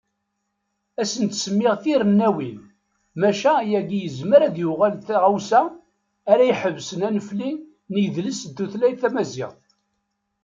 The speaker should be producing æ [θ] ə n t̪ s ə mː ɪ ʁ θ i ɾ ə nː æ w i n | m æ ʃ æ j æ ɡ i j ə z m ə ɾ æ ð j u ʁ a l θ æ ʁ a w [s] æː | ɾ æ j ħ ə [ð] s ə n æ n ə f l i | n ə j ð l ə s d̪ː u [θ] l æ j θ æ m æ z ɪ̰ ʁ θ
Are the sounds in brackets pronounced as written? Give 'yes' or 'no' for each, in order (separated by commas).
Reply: no, yes, no, yes